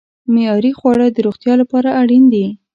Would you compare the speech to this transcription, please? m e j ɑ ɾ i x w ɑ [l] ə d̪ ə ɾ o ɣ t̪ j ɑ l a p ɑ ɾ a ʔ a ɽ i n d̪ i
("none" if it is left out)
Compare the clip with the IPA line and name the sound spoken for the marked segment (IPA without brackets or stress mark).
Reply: ɽ